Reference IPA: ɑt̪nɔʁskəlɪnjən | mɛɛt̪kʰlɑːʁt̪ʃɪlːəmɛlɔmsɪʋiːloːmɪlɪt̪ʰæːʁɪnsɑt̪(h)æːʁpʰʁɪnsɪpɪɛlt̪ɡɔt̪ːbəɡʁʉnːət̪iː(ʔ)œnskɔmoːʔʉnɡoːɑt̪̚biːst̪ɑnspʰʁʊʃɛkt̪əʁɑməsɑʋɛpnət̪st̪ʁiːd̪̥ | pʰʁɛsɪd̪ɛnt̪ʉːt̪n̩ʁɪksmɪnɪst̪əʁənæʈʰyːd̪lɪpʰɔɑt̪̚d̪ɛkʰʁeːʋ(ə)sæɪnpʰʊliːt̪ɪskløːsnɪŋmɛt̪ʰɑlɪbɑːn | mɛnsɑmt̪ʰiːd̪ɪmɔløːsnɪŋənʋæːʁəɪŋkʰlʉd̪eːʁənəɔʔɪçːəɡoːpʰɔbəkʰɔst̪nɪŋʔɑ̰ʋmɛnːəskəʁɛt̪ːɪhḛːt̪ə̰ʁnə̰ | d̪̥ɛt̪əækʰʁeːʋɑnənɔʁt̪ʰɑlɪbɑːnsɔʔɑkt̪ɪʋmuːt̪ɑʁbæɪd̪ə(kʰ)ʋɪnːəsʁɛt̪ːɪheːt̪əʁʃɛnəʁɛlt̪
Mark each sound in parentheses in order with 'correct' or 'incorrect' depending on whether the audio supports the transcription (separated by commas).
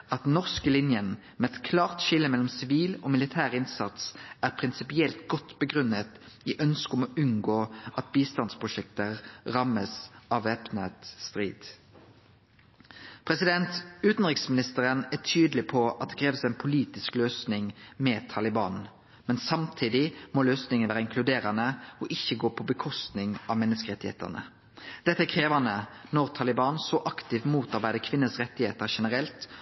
incorrect, correct, correct, correct